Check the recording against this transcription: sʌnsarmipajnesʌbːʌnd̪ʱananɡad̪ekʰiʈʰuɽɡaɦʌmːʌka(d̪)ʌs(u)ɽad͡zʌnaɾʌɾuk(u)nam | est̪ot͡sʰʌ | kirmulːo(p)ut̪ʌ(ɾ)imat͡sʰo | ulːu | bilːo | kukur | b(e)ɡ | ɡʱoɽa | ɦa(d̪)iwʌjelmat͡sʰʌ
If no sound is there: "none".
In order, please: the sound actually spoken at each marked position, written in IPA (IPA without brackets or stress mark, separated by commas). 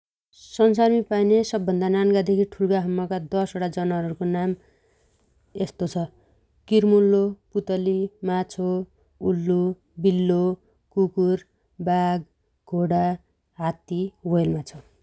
d̪, o, o, p, l, a, t̪